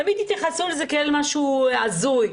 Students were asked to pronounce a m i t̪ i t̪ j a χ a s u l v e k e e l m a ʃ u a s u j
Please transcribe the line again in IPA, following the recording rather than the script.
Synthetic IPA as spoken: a m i d̪ i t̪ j a χ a s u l z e k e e l m a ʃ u a z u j

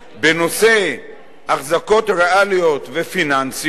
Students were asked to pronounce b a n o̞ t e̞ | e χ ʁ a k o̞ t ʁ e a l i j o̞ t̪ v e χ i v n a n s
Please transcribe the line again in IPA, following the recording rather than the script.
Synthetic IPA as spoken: b e n o̞ s e̞ | a χ z a k o̞ t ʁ e a l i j o̞ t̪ v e f i n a n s

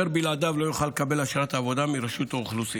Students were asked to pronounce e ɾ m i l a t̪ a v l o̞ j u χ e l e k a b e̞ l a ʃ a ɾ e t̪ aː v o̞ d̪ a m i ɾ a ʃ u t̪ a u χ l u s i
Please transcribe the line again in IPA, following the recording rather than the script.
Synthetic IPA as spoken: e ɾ b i l a d̪ a v l o̞ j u χ a l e k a b e̞ l a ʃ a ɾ a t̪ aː v o̞ d̪ a m i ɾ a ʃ u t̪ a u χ l u s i

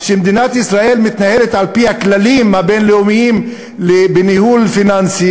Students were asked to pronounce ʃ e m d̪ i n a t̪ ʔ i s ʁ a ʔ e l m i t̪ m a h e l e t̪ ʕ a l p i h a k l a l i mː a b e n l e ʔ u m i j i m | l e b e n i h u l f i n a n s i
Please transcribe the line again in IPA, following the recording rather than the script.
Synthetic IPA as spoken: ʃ e m d̪ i n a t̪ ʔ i s ʁ a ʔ e l m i t̪ n a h e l e t̪ ʕ a l p i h a k l a l i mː a b e n l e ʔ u m i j i m | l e b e n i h u l f i n a n s i

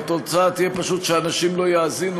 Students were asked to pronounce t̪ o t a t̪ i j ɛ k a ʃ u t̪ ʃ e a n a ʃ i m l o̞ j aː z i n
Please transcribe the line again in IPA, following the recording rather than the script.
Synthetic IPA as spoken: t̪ o t͡s a t̪ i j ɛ p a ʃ u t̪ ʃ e a n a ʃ i m l o̞ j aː z i n

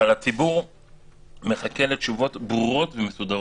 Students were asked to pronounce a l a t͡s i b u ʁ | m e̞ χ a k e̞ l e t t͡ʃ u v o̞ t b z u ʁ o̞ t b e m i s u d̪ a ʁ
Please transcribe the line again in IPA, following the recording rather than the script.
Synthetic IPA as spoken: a l a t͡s i b u ʁ | m e̞ χ a k e̞ l e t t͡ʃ u v o̞ t b ʁ u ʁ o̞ t v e m e s u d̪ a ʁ

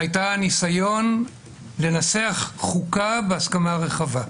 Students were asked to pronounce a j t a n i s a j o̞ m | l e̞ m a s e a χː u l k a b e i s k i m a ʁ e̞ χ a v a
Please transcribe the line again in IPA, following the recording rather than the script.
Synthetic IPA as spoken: a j t a n i s a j o̞ n | l e̞ n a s e a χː u k a b e a s k a m a ʁ e̞ χ a v a

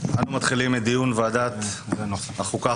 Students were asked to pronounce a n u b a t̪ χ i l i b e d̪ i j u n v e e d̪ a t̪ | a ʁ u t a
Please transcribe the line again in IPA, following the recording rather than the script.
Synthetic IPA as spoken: a n u m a t̪ χ i l i m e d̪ i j u n v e a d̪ a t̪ | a χ u k a

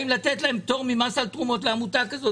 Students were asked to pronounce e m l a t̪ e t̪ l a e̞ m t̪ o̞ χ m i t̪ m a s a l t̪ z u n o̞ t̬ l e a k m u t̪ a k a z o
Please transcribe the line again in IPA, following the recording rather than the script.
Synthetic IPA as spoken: i m l a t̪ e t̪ l a e̞ m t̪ o̞ ʁ m i m a s a l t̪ ʁ u m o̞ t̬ l e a m u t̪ a k a z o

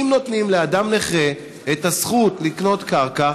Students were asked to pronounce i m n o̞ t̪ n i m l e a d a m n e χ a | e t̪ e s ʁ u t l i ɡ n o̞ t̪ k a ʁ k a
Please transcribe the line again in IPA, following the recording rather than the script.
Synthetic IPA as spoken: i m n o̞ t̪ n i m l e a d a m n e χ e | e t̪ a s χ u t l i k n o̞ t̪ k a ʁ k a

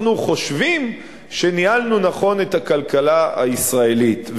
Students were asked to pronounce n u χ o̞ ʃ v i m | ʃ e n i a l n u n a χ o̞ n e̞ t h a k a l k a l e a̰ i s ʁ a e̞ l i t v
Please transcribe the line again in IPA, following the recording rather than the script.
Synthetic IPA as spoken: n u χ o̞ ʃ v i m | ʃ e n i a l n u n a χ o̞ n e̞ t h a k a l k a l a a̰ i s ʁ a e̞ l i t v

